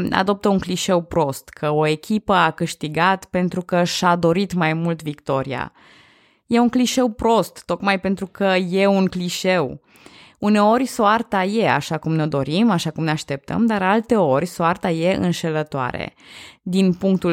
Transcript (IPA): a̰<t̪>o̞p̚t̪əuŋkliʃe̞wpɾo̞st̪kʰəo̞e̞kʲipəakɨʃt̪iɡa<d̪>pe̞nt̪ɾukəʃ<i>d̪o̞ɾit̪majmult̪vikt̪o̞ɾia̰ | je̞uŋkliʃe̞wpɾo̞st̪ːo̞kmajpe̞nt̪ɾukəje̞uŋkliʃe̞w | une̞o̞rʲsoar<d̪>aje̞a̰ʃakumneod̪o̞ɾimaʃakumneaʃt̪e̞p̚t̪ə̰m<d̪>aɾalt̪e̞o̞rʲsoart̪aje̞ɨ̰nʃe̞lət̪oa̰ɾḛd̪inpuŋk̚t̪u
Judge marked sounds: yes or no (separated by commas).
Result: no, no, no, no, yes